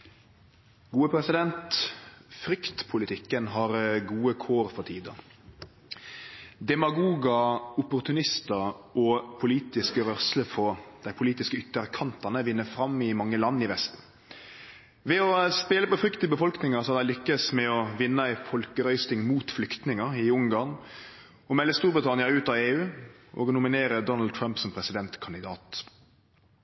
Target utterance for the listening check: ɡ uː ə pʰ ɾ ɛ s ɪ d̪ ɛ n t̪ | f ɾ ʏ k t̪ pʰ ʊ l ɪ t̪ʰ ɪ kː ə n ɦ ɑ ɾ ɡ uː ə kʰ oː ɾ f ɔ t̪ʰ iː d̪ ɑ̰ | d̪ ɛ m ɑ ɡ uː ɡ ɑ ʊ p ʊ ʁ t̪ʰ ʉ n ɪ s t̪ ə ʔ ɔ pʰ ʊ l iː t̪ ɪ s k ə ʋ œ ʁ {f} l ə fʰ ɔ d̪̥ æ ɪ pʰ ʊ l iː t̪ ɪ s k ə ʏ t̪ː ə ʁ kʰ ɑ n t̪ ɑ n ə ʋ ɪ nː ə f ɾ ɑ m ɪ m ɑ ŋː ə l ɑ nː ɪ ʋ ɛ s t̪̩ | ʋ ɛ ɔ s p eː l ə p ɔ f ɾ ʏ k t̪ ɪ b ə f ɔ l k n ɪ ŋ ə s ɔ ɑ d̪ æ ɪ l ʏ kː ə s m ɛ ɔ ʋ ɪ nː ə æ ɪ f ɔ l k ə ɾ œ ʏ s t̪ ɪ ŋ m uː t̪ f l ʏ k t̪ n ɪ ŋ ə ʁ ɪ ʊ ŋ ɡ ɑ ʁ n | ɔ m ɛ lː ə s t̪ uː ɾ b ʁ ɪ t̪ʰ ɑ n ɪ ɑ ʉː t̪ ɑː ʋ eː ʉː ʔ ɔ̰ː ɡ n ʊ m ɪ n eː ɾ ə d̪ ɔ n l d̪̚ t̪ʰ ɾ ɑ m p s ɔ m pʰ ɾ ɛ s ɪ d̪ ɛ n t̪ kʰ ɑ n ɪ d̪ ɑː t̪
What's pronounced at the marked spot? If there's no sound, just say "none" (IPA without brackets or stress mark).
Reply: s